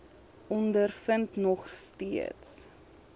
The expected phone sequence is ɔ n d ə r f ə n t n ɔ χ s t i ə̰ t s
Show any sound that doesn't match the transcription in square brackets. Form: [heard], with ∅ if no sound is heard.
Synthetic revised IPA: ɔ n d ə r f ə n t n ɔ χ s t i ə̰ t s